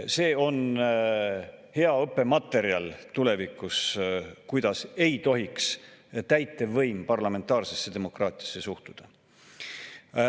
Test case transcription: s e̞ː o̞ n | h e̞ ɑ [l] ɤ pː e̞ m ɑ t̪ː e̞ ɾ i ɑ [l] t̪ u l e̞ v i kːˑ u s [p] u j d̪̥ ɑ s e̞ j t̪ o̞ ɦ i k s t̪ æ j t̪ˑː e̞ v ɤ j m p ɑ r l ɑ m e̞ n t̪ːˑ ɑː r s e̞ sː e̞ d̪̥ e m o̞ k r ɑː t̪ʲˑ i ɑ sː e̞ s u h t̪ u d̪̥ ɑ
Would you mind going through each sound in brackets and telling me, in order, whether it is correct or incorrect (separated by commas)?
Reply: incorrect, correct, incorrect